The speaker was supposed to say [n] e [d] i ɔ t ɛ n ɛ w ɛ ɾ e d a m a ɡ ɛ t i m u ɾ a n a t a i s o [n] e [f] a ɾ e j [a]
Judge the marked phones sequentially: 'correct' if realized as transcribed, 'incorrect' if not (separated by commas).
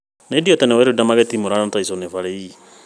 correct, correct, correct, correct, incorrect